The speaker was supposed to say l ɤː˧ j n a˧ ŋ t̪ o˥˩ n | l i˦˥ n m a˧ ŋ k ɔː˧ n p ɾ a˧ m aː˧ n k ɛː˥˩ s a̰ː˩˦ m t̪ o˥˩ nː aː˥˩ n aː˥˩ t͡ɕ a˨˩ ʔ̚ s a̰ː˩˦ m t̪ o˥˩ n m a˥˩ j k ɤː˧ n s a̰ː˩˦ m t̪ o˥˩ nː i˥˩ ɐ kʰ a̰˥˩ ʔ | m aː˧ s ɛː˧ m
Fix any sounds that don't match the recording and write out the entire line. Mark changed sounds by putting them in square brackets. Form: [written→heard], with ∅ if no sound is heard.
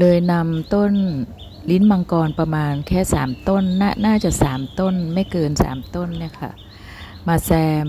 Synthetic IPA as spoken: l ɤː˧ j n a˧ [ŋ→m] t̪ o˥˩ n | l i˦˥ n m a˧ ŋ k ɔː˧ n p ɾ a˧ m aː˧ n [k→kʰ] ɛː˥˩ s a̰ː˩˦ m t̪ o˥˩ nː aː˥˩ n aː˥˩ t͡ɕ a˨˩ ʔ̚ s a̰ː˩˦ m t̪ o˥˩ n m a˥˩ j k ɤː˧ n s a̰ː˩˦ m t̪ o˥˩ nː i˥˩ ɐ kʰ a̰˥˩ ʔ | m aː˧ s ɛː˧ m